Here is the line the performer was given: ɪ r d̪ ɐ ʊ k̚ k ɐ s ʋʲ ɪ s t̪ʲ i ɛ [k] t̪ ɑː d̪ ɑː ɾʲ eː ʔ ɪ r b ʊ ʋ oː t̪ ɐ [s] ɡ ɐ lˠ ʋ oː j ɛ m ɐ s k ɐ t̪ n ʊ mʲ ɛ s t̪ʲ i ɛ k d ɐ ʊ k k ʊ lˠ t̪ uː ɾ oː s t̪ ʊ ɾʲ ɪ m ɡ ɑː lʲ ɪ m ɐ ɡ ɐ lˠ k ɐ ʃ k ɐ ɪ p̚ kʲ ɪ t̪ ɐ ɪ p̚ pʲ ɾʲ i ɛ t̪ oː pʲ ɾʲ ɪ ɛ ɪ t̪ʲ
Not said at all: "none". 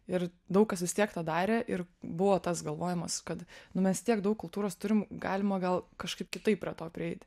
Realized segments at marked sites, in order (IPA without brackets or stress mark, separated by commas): k, s